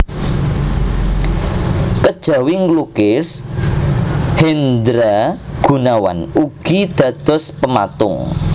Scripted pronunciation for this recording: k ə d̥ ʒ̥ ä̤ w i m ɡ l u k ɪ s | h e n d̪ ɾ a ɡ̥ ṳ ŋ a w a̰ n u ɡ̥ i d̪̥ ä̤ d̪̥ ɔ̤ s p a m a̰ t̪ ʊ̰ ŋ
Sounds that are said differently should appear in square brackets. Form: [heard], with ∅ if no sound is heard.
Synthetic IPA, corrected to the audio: k ə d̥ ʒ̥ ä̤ w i [ŋ] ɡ l u k ɪ s | h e n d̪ ɾ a ɡ̥ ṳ [n] a w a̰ n u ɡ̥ i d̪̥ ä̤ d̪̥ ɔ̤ s p [ə] m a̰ t̪ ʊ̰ ŋ